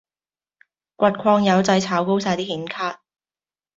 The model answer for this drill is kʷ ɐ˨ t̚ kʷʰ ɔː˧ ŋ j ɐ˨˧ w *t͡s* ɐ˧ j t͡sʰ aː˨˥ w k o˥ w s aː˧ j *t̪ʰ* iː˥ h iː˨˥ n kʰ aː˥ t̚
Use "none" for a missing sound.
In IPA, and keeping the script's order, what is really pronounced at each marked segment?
t͡s, t̪

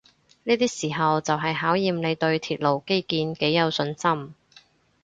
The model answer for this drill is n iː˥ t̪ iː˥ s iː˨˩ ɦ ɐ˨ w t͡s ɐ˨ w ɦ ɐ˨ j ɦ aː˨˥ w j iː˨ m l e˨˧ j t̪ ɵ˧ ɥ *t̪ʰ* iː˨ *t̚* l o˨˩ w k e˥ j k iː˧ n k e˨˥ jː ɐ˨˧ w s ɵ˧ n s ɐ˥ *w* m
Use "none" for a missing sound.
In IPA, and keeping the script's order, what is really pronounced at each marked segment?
t̪ʰ, t̚, none

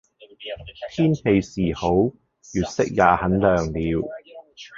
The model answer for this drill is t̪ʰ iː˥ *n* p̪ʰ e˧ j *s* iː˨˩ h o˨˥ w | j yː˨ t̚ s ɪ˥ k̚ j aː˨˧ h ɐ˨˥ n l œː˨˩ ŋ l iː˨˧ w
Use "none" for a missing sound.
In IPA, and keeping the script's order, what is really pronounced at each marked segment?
n, s

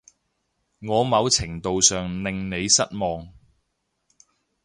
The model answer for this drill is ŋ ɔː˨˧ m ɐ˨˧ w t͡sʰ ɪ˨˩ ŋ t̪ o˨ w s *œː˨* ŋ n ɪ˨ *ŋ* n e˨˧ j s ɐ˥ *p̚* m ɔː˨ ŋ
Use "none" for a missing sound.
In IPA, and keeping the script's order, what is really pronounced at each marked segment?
œː˨, ŋ, t̚

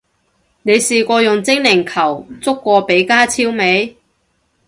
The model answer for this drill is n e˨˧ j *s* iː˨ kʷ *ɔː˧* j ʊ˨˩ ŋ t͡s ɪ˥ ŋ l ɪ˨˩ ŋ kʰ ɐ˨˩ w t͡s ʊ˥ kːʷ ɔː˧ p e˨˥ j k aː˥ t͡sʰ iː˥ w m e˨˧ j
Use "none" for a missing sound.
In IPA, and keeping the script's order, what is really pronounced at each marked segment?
s, ɔː˧

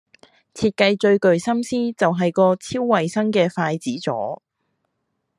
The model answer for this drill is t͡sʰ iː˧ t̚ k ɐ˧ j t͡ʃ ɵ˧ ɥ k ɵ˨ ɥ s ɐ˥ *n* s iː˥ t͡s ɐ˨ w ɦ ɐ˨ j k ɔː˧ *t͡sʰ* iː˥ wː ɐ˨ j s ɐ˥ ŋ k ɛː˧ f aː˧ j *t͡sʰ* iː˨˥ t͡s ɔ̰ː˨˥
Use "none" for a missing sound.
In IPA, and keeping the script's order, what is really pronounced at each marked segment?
m, t͡sʰ, t͡s

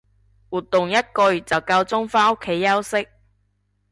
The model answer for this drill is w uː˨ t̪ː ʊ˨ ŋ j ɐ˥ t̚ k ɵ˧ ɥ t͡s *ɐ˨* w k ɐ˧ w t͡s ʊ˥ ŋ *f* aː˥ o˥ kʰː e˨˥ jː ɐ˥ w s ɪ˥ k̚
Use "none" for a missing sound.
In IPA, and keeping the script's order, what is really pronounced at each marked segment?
ɐ˨, f

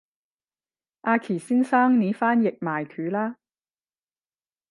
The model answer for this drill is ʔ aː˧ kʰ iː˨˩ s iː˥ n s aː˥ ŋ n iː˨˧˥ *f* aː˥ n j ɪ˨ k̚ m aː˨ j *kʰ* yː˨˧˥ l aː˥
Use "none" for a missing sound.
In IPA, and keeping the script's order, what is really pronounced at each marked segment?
f, kʰ

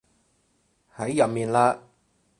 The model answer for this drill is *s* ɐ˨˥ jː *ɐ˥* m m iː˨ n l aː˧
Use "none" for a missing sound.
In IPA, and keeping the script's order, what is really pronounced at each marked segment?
h, ɐ˨

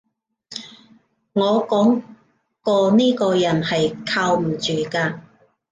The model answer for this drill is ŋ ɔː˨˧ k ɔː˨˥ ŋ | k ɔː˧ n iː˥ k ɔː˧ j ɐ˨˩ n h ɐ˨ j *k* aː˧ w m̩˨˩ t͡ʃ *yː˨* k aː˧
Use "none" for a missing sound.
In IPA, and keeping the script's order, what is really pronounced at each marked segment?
kʰ, yː˨

